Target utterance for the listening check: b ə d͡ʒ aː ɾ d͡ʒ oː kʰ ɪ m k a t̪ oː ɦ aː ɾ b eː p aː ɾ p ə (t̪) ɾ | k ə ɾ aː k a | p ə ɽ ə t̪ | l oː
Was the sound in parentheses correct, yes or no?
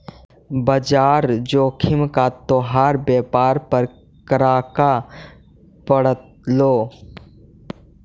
no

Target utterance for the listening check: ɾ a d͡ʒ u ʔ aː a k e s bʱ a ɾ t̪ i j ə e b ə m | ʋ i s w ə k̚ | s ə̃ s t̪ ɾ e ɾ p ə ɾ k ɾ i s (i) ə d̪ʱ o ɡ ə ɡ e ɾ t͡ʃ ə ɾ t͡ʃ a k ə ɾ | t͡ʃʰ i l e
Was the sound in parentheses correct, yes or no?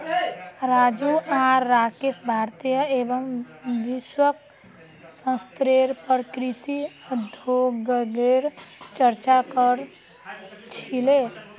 yes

